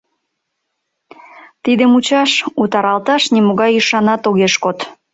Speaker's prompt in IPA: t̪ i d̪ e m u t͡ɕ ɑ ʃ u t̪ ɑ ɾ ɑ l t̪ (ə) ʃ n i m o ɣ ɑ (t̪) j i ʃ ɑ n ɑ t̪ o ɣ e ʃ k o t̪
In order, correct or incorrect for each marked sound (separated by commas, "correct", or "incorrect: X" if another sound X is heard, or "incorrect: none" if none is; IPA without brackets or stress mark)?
incorrect: ɑ, incorrect: none